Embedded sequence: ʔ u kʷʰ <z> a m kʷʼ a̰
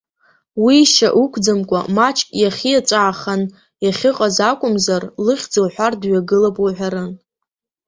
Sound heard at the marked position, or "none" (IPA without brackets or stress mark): d͡z